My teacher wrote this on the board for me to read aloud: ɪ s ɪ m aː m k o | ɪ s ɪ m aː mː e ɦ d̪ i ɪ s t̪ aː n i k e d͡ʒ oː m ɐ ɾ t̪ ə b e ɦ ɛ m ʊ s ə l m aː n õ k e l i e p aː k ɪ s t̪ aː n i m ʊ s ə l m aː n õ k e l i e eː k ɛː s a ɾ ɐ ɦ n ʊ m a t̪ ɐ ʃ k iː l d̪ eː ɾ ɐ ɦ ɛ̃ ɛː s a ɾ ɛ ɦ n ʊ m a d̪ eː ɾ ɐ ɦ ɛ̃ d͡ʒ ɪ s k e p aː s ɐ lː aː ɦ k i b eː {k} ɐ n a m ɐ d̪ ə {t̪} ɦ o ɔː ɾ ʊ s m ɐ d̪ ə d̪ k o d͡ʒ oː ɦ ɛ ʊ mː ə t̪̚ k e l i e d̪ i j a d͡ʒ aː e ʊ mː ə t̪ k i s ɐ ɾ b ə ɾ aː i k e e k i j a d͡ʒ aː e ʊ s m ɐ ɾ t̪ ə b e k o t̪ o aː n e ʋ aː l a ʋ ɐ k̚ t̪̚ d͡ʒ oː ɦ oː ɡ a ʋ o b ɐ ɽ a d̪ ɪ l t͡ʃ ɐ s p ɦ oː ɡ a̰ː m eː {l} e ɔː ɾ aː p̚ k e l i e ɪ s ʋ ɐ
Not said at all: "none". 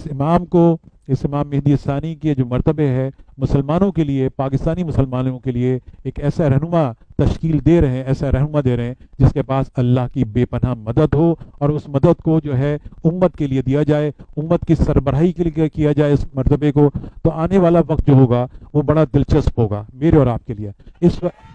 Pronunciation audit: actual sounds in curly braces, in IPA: p, d̪, ɾ

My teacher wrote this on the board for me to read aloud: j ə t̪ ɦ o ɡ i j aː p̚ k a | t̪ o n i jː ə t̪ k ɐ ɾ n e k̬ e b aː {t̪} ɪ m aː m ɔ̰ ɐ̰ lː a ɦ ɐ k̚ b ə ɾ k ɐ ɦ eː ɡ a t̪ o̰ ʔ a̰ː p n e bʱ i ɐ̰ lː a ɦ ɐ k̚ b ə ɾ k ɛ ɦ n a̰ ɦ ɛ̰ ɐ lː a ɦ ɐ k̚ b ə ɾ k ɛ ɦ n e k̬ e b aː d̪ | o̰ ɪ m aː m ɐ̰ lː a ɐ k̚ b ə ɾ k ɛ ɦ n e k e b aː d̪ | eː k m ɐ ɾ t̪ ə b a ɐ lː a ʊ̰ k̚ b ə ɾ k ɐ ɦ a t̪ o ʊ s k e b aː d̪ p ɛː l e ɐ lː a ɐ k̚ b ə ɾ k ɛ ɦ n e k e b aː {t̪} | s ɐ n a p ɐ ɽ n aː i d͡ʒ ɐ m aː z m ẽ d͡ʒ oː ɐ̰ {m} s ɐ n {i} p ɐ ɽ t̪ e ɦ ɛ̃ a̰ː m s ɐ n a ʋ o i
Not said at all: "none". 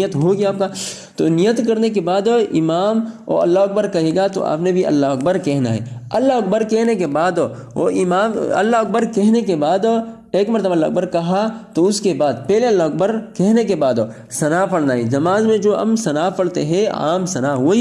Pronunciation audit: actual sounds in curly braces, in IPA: d̪, d̪, m, a

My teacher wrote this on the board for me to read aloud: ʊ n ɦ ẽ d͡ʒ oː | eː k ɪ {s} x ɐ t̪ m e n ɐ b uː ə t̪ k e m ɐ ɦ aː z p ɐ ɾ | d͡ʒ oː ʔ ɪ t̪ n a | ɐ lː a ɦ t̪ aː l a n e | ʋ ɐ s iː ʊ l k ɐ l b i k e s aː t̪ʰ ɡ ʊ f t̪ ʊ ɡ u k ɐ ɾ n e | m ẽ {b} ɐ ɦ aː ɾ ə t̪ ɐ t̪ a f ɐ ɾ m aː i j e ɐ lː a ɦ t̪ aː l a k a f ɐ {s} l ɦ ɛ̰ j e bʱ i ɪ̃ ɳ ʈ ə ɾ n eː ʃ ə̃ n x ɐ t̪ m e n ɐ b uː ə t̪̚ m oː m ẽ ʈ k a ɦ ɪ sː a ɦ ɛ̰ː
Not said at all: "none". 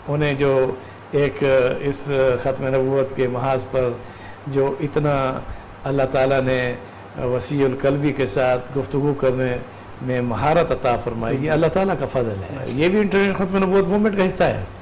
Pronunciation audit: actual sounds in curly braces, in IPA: s, m, z

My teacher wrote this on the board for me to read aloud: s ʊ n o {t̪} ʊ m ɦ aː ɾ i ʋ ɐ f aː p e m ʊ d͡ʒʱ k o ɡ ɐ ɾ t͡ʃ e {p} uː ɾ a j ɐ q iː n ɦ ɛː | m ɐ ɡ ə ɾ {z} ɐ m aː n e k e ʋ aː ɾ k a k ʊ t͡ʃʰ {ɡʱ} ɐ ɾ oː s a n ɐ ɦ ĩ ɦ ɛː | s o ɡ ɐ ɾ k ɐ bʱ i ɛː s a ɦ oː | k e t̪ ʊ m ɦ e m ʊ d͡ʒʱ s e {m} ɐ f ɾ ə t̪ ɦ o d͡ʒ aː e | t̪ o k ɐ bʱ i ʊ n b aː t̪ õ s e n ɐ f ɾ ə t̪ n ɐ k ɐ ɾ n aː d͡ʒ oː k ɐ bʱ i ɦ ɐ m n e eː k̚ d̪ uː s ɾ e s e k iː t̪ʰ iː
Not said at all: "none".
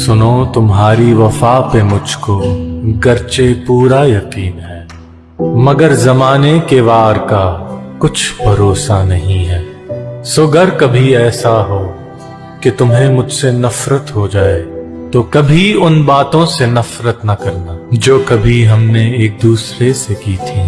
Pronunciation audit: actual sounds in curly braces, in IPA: t̪, p, z, bʱ, n

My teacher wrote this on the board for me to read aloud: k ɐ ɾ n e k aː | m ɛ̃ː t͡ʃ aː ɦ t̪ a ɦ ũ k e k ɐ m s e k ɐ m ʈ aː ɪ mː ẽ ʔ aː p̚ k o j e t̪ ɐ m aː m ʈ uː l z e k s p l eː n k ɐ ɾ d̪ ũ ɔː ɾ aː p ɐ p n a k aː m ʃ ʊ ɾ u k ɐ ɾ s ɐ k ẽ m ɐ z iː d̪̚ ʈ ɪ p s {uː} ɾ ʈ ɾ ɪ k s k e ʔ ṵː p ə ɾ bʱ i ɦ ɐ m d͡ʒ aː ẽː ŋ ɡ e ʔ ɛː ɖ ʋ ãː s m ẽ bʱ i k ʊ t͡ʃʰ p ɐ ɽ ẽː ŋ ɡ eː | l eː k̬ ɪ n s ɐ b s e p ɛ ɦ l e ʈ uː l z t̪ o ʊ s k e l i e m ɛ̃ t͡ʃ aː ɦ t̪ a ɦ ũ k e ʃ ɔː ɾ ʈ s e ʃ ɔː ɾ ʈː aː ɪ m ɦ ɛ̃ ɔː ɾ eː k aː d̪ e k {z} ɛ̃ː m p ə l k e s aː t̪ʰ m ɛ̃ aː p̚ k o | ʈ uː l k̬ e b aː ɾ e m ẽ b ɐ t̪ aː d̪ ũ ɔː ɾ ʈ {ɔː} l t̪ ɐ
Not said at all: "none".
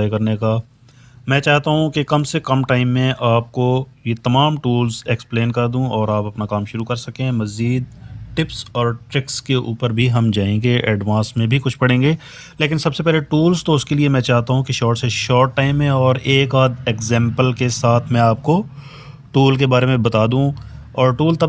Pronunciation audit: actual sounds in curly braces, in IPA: ɔː, z, uː

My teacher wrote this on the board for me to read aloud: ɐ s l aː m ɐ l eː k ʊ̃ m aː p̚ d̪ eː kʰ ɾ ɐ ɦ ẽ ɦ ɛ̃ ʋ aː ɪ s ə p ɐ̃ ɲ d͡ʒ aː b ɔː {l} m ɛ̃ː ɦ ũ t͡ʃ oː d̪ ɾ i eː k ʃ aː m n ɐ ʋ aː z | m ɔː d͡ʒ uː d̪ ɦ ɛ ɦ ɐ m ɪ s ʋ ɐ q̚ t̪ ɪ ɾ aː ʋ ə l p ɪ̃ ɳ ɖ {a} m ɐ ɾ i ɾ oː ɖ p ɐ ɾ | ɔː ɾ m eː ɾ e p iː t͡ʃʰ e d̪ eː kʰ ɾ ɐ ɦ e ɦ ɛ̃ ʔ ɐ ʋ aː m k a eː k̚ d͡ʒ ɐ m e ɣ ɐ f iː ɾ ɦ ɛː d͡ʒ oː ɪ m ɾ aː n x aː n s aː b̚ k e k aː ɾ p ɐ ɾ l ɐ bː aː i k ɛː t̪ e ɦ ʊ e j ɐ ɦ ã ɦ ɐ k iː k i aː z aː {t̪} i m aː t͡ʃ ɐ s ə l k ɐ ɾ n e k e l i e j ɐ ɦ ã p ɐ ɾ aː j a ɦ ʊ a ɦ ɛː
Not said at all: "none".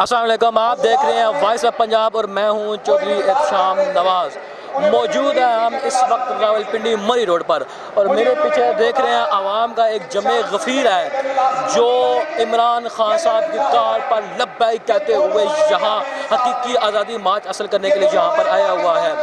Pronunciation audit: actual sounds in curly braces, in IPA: ɾ, i, d̪

